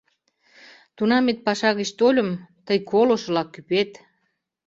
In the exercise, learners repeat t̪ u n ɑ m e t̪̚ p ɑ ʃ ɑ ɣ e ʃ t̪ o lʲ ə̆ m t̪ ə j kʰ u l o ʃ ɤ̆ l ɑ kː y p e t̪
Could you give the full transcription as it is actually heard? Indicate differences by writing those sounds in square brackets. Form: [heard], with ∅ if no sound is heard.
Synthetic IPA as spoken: t̪ u n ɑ m e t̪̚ p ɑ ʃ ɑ ɣ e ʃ t̪ o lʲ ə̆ m t̪ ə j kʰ [o] l o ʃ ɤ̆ l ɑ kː y p e t̪

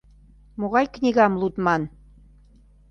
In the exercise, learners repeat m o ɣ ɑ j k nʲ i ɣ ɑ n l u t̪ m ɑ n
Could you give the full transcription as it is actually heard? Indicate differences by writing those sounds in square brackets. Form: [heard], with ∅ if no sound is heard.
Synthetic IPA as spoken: m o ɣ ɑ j k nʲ i ɣ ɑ [m] l u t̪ m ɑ n

